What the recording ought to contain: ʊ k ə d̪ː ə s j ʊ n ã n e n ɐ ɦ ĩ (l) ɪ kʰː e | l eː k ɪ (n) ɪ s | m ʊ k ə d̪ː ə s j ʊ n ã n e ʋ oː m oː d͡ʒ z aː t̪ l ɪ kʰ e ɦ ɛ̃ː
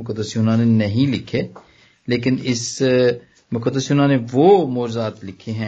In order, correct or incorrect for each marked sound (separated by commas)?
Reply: correct, correct